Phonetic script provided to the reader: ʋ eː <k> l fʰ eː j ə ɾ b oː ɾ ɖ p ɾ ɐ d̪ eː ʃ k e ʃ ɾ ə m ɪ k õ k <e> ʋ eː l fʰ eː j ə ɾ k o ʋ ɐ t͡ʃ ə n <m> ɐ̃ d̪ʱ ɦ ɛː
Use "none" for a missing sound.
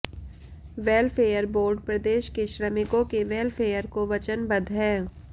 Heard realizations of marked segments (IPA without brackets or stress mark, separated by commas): none, e, b